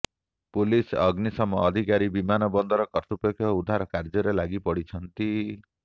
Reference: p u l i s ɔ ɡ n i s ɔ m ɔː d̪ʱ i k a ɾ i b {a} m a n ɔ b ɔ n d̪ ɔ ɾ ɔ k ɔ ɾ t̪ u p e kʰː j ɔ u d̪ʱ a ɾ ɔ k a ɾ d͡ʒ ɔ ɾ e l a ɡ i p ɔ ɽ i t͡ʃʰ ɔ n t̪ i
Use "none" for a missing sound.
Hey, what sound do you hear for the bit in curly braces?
i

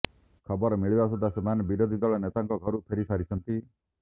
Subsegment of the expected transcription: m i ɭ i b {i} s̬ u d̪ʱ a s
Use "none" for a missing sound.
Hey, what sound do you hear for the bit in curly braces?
a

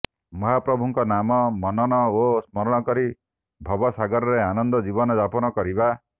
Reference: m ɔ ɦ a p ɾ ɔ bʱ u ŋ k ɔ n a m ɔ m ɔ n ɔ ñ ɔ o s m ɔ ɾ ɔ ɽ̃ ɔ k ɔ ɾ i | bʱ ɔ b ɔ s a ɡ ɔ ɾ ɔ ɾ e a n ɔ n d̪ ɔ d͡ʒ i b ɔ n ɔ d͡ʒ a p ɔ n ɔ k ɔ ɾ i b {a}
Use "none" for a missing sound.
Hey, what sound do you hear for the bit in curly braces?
a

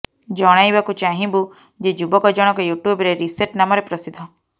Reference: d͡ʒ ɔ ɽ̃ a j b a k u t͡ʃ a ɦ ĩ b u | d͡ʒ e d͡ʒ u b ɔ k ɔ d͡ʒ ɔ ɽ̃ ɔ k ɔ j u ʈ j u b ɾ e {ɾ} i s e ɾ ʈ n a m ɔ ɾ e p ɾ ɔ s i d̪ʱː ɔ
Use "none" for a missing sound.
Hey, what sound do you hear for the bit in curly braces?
ɾ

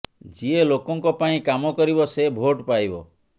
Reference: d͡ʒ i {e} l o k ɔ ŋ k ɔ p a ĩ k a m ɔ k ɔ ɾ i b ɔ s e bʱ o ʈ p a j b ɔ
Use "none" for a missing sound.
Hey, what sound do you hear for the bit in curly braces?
e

